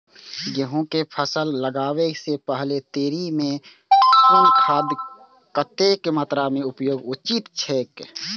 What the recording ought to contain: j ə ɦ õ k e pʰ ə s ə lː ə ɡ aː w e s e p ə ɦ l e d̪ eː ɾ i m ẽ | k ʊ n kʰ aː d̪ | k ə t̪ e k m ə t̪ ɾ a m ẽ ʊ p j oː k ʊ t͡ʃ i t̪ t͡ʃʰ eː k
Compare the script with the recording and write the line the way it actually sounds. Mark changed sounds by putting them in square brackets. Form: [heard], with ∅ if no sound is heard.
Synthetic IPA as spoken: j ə ɦ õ k e pʰ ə s ə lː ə ɡ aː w e s e p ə ɦ l e [t̪] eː ɾ i m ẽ | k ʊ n kʰ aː d̪ | k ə t̪ e k m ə t̪ ɾ a m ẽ ʊ p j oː [ɡ] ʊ t͡ʃ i t̪ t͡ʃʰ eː k